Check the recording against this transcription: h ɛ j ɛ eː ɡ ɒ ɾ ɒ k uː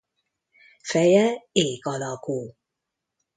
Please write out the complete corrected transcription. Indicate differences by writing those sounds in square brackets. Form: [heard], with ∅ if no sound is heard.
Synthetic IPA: [f] ɛ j ɛ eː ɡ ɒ [l] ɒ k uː

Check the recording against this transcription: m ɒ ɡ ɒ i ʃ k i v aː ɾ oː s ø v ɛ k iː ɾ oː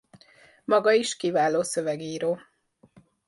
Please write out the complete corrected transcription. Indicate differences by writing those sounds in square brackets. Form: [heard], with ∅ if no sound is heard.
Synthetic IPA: m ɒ ɡ ɒ i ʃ k i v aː [l] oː s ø v ɛ [ɡ] iː ɾ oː

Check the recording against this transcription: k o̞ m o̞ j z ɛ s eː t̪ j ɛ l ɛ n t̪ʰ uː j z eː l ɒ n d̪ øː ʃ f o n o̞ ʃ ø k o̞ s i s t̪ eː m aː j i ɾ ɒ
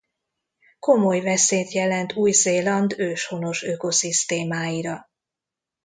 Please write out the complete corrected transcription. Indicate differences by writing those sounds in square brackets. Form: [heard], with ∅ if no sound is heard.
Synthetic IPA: k o̞ m o̞ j [v] ɛ s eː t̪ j ɛ l ɛ n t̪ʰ uː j z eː l ɒ n d̪ øː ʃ [h] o n o̞ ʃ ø k o̞ s i s t̪ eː m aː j i ɾ ɒ

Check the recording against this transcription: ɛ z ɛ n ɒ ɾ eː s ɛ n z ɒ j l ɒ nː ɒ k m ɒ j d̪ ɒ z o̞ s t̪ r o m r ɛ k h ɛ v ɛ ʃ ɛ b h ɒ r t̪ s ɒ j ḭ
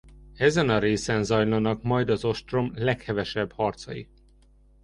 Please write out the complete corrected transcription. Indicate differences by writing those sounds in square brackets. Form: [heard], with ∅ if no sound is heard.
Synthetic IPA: ɛ z ɛ n ɒ ɾ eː s ɛ n z ɒ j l ɒ [n] ɒ k m ɒ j d̪ ɒ z o̞ [ʃ] t̪ r o m [l] ɛ k h ɛ v ɛ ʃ ɛ b h ɒ r t̪ s ɒ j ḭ

